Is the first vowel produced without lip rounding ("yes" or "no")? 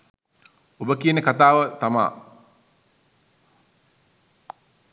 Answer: no